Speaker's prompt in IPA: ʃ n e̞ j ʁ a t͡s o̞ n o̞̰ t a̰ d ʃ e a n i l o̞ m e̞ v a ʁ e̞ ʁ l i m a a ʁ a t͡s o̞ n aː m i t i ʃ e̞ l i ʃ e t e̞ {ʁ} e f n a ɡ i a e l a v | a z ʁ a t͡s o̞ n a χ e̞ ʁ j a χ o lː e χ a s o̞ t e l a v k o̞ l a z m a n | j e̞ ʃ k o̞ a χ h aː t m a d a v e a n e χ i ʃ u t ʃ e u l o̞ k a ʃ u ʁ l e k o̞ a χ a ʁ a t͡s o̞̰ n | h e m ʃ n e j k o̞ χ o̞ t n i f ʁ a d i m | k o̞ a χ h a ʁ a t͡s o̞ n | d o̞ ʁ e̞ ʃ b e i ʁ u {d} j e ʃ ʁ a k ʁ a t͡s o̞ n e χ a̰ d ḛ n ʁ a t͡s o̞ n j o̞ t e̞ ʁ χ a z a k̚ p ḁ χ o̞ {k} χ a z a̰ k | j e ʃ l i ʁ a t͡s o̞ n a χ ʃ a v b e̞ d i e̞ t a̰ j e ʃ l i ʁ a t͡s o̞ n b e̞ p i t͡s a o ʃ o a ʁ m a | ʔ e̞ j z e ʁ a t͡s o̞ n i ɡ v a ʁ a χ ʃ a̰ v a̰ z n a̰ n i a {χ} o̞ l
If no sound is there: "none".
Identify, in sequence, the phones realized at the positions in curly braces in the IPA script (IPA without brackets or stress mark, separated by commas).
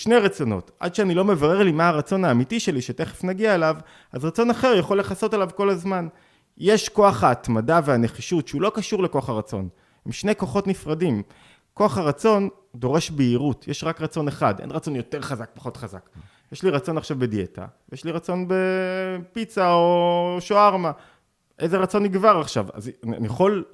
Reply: χ, t, t, χ